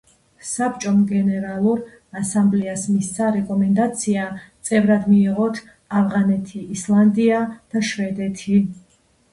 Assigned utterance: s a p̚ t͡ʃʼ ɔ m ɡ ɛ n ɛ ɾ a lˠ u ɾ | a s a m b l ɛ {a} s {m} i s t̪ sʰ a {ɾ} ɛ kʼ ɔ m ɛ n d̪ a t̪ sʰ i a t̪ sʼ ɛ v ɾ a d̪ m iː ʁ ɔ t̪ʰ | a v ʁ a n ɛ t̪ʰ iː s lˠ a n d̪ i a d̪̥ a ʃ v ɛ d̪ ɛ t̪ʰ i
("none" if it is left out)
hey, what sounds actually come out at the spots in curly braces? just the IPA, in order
a, m, ɾ

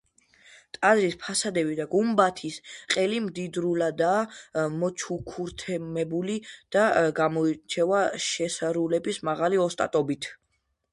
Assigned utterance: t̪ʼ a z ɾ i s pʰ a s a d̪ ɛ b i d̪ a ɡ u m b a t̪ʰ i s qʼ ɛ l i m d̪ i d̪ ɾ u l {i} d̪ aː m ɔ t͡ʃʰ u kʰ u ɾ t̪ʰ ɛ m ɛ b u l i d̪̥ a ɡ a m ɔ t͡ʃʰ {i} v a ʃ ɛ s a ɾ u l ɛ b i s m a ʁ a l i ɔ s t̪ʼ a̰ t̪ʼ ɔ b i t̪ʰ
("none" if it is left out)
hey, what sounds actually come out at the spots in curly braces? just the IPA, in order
a, ɛ

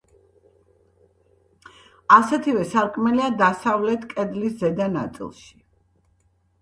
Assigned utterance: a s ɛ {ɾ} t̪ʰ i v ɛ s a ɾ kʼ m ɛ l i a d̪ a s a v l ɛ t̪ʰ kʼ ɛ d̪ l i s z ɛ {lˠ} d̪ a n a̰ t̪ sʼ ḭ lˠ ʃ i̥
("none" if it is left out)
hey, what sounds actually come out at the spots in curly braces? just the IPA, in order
none, none

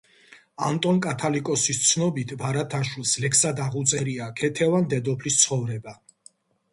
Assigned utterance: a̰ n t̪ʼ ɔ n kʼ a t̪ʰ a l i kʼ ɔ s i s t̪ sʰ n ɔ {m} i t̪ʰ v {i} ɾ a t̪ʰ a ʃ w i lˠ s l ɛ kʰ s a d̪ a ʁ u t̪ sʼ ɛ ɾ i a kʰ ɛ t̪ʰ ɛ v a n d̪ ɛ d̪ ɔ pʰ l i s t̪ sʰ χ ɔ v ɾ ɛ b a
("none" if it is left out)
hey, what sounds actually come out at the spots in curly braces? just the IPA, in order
b, a

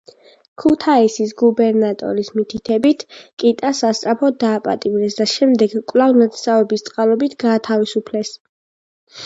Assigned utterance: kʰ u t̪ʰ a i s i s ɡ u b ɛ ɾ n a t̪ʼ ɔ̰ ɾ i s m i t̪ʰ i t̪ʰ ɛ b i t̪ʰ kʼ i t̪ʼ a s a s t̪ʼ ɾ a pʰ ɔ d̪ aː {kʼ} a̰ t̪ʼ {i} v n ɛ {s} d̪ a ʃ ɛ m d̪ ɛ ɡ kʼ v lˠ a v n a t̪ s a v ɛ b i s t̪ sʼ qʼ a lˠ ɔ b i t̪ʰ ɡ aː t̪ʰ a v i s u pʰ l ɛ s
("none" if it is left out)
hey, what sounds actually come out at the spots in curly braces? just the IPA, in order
pʼ, i, s

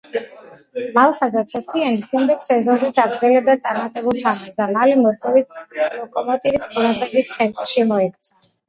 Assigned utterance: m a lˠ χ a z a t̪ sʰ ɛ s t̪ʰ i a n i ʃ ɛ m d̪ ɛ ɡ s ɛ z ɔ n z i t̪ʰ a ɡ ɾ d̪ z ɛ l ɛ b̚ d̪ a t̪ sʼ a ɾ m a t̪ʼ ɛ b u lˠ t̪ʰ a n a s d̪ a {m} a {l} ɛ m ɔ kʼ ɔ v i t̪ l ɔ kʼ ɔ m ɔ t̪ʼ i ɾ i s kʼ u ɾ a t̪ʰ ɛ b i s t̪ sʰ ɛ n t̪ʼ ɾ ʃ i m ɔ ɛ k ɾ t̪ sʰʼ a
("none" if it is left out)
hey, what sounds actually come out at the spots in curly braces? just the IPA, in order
m, l

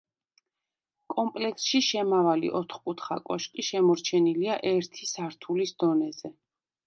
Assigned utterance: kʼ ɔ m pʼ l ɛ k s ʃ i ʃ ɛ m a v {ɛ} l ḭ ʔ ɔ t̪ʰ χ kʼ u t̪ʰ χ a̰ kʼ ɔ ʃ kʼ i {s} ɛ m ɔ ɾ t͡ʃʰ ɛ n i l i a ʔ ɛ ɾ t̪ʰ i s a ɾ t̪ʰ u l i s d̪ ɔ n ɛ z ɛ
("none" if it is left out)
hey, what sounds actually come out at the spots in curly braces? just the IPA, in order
a, ʃ

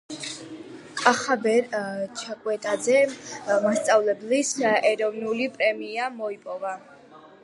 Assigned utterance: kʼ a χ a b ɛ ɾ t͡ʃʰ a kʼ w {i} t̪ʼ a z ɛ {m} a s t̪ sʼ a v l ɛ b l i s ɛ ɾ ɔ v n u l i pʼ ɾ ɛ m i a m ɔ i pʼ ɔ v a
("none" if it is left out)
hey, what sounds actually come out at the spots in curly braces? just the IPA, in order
ɛ, m

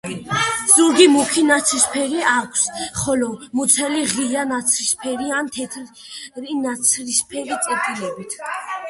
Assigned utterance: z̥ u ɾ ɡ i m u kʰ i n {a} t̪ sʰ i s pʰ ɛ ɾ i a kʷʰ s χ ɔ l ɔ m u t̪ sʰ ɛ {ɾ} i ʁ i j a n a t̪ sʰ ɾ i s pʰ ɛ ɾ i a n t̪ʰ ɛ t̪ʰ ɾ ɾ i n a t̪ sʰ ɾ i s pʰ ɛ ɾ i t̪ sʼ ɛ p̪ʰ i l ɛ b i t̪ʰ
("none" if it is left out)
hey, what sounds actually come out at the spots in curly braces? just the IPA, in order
a, l

